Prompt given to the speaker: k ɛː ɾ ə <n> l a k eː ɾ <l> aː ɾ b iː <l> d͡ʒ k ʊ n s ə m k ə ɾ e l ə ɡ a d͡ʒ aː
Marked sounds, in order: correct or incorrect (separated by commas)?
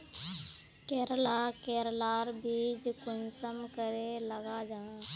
incorrect, correct, incorrect